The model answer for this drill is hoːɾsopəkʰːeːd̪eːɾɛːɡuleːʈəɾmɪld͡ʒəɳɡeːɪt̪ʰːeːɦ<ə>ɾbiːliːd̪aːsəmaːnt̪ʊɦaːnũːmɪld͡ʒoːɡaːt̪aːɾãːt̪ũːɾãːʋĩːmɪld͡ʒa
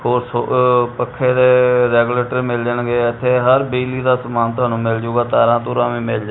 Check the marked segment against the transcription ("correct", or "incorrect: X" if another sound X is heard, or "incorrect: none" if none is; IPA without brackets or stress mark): correct